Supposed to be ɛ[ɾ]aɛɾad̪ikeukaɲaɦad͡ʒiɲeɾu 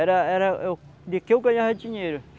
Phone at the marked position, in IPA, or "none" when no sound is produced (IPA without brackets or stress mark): ɾ